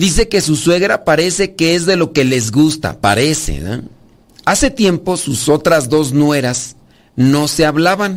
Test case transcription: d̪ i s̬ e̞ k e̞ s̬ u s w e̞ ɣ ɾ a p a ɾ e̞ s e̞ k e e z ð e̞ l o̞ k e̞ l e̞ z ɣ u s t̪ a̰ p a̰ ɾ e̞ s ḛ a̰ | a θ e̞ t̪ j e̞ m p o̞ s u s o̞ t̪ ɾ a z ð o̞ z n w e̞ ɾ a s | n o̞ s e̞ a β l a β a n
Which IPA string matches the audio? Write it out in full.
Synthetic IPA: d̪ i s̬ e̞ k e̞ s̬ u s w e̞ ɣ ɾ a p a ɾ e̞ s e̞ k e e z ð e̞ l o̞ k e̞ l e̞ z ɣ u s t̪ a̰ p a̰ ɾ e̞ s ḛ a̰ | a s e̞ t̪ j e̞ m p o̞ s u s o̞ t̪ ɾ a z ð o̞ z n w e̞ ɾ a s | n o̞ s e̞ a β l a β a n